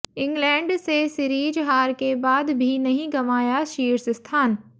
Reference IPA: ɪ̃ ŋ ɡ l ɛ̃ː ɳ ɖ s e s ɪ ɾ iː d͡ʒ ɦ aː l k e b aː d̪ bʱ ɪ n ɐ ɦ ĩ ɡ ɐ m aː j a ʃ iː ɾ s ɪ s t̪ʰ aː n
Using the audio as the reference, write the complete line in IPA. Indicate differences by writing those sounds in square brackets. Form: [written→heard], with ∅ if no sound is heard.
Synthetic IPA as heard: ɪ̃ ŋ ɡ l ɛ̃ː ɳ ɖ s e s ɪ ɾ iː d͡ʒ ɦ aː [l→ɾ] k e b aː d̪ bʱ [ɪ→i] n ɐ ɦ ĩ ɡ ɐ m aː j a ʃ iː ɾ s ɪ s t̪ʰ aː n